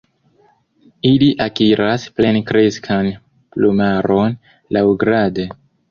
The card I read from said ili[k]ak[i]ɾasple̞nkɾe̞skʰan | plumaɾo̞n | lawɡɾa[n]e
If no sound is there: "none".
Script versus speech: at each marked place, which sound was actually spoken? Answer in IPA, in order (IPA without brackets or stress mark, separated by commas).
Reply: ʔ, i, d